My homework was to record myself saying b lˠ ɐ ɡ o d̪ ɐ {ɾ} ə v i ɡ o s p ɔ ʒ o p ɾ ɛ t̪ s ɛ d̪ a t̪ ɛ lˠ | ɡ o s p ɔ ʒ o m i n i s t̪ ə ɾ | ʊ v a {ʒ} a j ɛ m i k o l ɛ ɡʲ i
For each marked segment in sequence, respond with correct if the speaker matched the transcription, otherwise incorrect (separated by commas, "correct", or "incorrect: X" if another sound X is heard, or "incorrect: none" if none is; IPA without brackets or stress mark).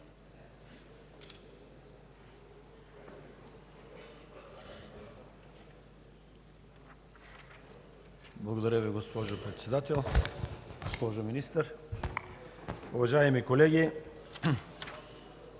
correct, correct